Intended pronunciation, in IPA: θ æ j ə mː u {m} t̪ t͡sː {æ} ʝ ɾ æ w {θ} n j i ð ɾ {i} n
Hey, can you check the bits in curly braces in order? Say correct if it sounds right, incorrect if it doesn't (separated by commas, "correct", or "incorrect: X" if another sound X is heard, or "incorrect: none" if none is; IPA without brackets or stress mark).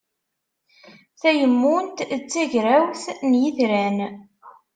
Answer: incorrect: n, correct, correct, incorrect: æ